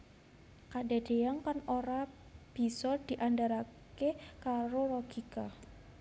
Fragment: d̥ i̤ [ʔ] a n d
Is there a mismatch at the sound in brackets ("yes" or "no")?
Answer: no